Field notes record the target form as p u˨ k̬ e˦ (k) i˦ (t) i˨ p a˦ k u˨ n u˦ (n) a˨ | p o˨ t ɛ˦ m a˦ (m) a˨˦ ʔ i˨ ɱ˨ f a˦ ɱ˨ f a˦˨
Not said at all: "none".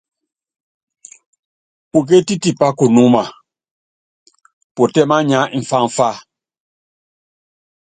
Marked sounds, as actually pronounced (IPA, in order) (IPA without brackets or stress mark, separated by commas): t, t, m, ɲ